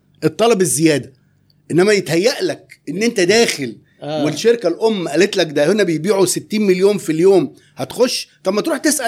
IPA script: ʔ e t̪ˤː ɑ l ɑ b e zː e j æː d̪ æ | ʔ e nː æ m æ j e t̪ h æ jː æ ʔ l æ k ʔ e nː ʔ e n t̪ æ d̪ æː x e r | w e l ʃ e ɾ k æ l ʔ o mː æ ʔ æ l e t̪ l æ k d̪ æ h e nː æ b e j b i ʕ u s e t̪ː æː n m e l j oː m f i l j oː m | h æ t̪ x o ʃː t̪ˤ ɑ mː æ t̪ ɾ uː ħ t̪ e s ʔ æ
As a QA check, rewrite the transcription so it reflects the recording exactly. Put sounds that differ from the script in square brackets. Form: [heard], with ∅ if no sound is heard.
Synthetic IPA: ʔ e t̪ˤː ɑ l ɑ b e zː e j æː d̪ æ | ʔ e nː æ m æ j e t̪ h æ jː æ ʔ l æ k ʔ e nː ʔ e n t̪ æ d̪ æː x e [l] | w e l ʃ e ɾ k æ l ʔ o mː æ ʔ æ l e t̪ l æ k d̪ æ h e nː æ b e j b [iː] ʕ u s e t̪ː [iː] n m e l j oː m f i l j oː m | h æ t̪ x o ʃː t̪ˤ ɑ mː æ t̪ ɾ uː ħ t̪ e s ʔ æ